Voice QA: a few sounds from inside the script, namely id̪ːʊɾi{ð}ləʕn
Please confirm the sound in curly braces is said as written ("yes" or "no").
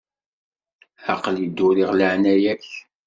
no